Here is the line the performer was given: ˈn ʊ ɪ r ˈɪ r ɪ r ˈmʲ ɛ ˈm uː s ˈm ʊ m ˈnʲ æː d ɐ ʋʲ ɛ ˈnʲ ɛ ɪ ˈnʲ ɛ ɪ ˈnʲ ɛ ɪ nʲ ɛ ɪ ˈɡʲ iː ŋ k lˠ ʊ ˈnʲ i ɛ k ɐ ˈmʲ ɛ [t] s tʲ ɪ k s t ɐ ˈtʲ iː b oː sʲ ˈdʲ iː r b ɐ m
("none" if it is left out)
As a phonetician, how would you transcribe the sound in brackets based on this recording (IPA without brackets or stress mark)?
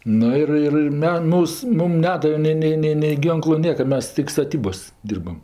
none